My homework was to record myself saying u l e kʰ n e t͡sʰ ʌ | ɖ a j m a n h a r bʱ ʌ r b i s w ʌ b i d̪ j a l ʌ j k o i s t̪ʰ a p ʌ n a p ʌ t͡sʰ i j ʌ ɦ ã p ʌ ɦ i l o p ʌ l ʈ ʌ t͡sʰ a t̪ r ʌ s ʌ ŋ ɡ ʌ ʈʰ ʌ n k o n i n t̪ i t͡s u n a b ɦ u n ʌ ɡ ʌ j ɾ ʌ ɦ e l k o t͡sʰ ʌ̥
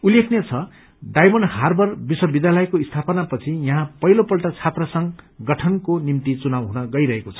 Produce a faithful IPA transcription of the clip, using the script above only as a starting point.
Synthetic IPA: u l e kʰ n e t͡sʰ ʌ | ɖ a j m ʌ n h a r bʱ ʌ r b i s w ʌ b i d̪ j a l ʌ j k o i s t̪ʰ a p ʌ n a p ʌ t͡sʰ i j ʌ ɦ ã p ʌ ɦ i l o p ʌ l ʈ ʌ t͡sʰ a t̪ r ʌ s ʌ ŋ ɡ ʌ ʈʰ ʌ n k o n i m t̪ i t͡s u n a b ɦ u n ʌ ɡ ʌ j ɾ ʌ ɦ e k o t͡sʰ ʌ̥